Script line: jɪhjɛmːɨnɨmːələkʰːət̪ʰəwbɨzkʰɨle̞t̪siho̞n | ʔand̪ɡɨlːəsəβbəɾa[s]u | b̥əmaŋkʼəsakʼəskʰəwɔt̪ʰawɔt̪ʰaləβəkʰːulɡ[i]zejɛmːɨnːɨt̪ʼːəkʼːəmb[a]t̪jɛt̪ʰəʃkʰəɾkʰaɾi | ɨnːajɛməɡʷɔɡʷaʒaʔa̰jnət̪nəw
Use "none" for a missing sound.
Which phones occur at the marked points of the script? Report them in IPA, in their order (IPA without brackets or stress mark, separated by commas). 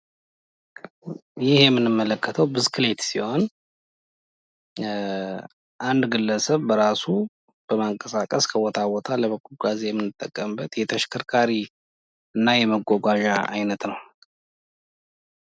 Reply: s, a, ə